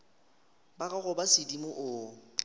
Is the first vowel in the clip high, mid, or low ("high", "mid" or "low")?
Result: low